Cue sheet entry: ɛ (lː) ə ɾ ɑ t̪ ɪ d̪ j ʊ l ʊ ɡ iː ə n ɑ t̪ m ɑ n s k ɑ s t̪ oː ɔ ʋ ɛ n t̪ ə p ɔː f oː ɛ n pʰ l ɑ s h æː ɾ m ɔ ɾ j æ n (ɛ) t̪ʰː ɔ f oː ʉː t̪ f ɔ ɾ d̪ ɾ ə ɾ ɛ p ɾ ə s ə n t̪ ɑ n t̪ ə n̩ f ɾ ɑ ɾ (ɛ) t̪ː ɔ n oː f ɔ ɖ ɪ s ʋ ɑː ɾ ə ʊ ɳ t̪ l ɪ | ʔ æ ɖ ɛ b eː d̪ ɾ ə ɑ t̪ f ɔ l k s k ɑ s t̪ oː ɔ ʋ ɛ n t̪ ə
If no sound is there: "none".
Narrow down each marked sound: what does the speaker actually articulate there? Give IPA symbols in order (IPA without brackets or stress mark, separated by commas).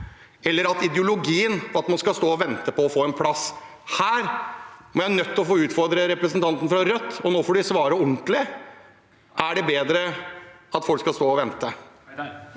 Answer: lː, œ, œ